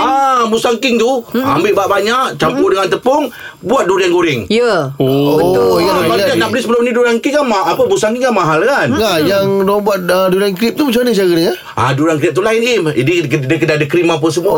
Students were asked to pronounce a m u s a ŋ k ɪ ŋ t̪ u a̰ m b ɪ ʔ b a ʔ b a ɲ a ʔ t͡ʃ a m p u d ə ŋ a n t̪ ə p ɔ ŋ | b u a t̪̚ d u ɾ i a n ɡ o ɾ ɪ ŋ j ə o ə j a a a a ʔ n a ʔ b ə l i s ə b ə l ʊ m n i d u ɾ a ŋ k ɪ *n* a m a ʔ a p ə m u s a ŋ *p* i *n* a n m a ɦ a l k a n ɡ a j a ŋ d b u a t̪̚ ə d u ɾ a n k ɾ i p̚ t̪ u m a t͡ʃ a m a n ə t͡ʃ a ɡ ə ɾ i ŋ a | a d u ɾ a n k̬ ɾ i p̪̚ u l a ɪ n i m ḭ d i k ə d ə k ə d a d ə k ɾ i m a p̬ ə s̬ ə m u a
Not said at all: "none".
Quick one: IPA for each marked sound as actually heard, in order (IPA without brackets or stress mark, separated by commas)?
ŋ, k, ŋ